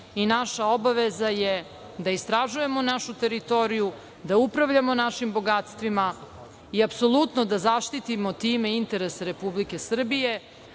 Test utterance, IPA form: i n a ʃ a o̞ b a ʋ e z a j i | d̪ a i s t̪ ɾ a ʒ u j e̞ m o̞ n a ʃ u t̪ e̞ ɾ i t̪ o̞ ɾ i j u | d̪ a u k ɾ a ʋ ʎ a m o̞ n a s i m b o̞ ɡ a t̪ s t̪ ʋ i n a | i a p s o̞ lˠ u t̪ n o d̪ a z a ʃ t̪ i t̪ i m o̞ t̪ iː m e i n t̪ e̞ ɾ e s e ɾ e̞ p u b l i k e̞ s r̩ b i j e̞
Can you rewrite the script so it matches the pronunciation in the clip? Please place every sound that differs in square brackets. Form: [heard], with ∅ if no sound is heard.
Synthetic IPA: i n a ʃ a o̞ b a ʋ e z a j [e] | d̪ a i s t̪ ɾ a ʒ u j e̞ m o̞ n a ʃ u t̪ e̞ ɾ i t̪ o̞ ɾ i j u | d̪ a u [p] ɾ a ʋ ʎ a m o̞ n a [ʃ] i m b o̞ ɡ a t̪ s t̪ ʋ i [m] a | i a p s o̞ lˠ u t̪ n o d̪ a z a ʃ t̪ i t̪ i m o̞ t̪ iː m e i n t̪ e̞ ɾ e s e ɾ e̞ p u b l i k e̞ s r̩ b i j e̞